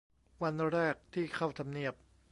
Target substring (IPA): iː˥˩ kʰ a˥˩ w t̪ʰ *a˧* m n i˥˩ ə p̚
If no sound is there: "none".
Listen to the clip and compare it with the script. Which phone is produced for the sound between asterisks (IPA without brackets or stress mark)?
a˧